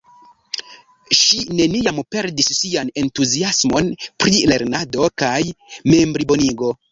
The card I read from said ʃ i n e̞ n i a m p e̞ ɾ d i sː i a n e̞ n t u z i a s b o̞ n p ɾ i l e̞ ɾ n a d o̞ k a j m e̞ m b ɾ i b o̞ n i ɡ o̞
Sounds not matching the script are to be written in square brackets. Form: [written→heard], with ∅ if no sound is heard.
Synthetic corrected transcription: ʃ i n e̞ n i a m p e̞ ɾ d i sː i a n e̞ n t u z i a s [b→m] o̞ n p ɾ i l e̞ ɾ n a d o̞ k a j m e̞ m b ɾ i b o̞ n i ɡ o̞